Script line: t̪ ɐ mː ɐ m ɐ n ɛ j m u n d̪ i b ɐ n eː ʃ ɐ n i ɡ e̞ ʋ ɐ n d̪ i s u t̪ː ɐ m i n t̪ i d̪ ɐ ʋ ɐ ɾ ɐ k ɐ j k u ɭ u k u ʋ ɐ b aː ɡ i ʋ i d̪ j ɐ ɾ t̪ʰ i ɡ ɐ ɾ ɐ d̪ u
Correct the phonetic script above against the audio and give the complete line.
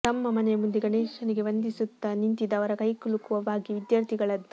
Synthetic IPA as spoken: t̪ ɐ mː ɐ m ɐ n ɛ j m u n d̪ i ɡ ɐ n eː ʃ ɐ n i ɡ e̞ ʋ ɐ n d̪ i s u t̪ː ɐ n i n t̪ i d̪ ɐ ʋ ɐ ɾ ɐ k ɐ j k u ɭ u k u ʋ ɐ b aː ɡ i ʋ i d̪ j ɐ ɾ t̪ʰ i ɡ ɐ ɭ ɐ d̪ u